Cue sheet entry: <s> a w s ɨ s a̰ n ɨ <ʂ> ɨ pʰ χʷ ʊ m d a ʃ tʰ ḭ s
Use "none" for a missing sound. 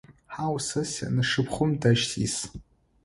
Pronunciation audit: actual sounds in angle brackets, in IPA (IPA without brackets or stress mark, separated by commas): ħ, ʂ